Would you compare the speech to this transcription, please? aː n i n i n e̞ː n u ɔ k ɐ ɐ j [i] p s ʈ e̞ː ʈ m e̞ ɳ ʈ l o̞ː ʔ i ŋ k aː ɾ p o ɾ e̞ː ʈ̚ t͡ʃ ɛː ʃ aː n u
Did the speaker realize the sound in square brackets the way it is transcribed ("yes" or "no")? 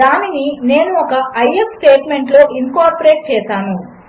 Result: no